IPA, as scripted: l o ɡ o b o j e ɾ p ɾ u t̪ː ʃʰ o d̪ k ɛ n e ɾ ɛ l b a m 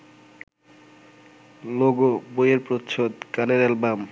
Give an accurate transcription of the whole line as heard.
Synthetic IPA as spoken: l o ɡ o b o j e ɾ p ɾ o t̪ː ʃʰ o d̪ k a n e ɾ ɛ l b a m

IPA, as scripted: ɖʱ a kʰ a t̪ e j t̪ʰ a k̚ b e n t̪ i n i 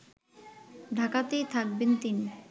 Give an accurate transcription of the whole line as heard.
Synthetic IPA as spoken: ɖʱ a k a t̪ e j t̪ʰ a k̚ b e n t̪ i n i

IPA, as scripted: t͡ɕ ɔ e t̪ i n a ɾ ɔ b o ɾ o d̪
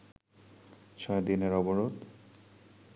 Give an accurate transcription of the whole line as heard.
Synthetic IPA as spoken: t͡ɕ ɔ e d̪ i n e ɾ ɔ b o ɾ o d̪

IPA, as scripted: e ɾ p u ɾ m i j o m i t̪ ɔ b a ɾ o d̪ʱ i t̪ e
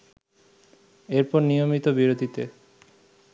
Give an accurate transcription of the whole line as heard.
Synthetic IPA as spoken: e ɾ p ɔ ɾ n i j o m i t̪ o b i ɾ o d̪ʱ i t̪ e

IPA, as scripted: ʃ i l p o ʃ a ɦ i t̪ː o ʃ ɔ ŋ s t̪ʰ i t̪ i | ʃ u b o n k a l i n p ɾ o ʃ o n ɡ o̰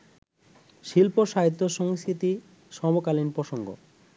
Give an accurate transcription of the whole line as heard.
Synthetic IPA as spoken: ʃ i l p o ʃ a ɦ i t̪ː o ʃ ɔ ŋ s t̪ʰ i t̪ i | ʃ ɔ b o k a l i n p ɾ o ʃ o ŋ ɡ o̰

